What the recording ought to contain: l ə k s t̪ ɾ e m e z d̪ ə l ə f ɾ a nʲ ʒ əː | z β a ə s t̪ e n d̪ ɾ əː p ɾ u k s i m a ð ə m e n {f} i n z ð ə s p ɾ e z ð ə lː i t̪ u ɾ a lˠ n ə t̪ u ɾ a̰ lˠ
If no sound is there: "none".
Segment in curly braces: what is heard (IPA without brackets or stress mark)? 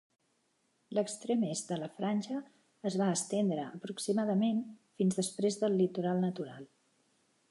f